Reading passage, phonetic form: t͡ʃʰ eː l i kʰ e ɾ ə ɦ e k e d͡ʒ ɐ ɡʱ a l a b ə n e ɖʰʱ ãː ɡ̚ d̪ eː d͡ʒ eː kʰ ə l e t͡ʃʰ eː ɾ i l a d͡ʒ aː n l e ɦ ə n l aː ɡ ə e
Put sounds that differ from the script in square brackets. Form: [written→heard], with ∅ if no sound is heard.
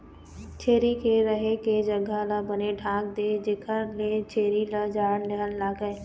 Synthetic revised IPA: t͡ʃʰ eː [l→ɾ] i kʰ e ɾ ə ɦ e k e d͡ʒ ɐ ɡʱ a l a b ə n e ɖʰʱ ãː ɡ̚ d̪ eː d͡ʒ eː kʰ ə l e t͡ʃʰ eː ɾ i l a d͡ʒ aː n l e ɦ ə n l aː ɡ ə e

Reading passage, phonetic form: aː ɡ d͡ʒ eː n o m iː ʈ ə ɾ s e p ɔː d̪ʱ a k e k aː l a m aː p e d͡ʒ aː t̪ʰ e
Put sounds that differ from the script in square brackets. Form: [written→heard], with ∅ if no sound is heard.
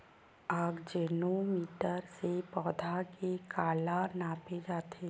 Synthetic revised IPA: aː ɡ d͡ʒ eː n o m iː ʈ ə ɾ s e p ɔː d̪ʱ a k e k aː l a [m→n] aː p e d͡ʒ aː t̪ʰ e

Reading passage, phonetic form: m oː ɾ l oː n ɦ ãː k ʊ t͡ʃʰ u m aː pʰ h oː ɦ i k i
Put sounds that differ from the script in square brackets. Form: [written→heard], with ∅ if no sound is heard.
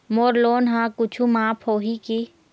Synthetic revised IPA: m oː ɾ l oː n ɦ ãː k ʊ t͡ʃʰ u m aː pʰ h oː ɦ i k i

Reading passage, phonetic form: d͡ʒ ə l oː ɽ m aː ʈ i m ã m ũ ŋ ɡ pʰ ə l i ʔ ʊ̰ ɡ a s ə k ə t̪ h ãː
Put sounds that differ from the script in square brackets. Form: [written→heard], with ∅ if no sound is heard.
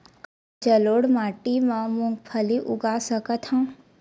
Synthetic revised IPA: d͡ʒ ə l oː ɽ m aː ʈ i m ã m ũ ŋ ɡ pʰ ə l i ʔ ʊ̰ ɡ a s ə k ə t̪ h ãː

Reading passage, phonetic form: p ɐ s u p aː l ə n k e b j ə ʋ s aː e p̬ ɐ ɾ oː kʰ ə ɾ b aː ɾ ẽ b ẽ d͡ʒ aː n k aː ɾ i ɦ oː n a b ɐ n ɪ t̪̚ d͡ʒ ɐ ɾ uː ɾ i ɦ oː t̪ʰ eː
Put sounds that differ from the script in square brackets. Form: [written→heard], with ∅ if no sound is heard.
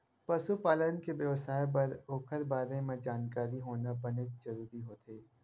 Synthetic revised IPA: p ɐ s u p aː l ə n k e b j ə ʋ s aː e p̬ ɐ ɾ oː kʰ ə ɾ b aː ɾ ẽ [b→m] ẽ d͡ʒ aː n k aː ɾ i ɦ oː n a b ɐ n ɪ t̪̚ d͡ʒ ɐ ɾ uː ɾ i ɦ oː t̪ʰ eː

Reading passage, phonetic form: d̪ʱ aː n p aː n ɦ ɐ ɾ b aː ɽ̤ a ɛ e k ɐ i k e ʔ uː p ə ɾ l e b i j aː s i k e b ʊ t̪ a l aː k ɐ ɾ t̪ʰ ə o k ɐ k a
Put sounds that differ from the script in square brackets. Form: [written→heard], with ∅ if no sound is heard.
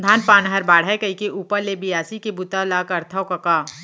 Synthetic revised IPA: d̪ʱ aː n p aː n ɦ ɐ ɾ b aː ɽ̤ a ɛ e k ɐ i k e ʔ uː p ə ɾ l e b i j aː s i k e b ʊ t̪ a l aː k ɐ ɾ t̪ʰ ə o k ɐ k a

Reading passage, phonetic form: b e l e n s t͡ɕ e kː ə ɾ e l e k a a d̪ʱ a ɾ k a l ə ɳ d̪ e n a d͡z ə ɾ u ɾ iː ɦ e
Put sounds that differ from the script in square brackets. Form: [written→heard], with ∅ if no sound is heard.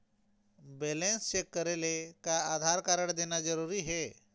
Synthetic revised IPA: b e l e n s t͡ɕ e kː ə ɾ e l e k a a d̪ʱ a ɾ k a [l→ɾ] ə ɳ d̪ e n a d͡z ə ɾ u ɾ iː ɦ e

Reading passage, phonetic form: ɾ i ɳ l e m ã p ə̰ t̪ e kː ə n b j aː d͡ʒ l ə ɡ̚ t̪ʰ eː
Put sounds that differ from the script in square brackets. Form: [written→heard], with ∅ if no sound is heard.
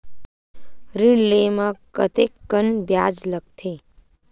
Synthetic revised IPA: ɾ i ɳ l e m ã [p→k] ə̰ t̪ e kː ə n b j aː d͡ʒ l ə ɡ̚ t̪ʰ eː

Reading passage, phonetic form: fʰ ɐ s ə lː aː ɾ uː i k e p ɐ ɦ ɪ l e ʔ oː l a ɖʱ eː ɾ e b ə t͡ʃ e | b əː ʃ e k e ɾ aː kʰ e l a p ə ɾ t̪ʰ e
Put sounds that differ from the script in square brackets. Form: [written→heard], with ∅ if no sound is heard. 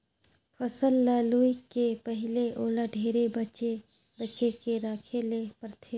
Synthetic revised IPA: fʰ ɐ s ə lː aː [ɾ→l] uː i k e p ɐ ɦ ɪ l e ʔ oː l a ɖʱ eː ɾ e b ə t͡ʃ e | b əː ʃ e k e ɾ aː kʰ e l [a→e] p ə ɾ t̪ʰ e

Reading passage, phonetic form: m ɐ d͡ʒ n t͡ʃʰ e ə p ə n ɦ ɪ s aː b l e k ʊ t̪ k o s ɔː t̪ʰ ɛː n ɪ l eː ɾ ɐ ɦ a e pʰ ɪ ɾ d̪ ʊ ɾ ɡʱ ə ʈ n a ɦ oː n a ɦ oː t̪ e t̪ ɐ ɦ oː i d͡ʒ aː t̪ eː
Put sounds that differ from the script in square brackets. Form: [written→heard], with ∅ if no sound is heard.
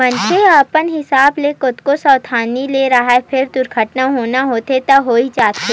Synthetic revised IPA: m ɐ [d͡ʒ→∅] n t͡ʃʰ e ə p ə n ɦ ɪ s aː b l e k ʊ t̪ k o s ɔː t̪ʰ [ɛː→aː] n [ɪ→i] l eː ɾ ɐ ɦ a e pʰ ɪ ɾ d̪ ʊ ɾ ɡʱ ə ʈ n a ɦ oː n a ɦ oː t̪ e t̪ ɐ ɦ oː i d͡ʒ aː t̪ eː

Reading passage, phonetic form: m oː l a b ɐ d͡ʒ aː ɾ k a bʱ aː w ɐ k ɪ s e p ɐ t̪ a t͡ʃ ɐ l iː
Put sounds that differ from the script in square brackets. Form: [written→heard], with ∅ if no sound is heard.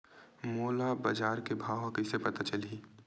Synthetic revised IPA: m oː l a b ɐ d͡ʒ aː ɾ k [a→e] bʱ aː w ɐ k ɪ s e p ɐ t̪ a t͡ʃ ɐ l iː

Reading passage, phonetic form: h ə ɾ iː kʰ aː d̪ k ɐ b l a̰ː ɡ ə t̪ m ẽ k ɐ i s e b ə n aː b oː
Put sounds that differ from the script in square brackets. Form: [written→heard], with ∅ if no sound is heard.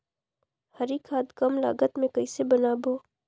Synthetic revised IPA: h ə ɾ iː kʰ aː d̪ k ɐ [b→m] l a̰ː ɡ ə t̪ m ẽ k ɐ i s e b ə n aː b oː

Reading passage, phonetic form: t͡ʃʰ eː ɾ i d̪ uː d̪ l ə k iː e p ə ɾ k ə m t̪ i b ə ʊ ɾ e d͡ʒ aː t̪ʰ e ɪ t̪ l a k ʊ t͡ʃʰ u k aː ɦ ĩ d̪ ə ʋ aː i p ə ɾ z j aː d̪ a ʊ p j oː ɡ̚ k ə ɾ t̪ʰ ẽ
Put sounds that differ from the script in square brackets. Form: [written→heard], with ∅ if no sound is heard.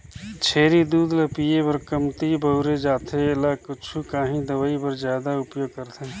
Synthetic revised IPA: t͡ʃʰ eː ɾ i d̪ uː d̪ l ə [k→p] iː e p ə ɾ k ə m t̪ i b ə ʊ ɾ e d͡ʒ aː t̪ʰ e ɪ [t̪→∅] l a k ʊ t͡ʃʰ u k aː ɦ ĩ d̪ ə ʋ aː i p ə ɾ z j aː d̪ a ʊ p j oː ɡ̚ k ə ɾ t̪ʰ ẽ

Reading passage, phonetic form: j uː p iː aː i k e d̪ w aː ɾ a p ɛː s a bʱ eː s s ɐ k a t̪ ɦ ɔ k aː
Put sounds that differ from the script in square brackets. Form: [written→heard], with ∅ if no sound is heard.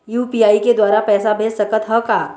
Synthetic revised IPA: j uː p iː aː i k e d̪ w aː ɾ a p ɛː s a bʱ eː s s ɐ k [a→ə] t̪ ɦ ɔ k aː

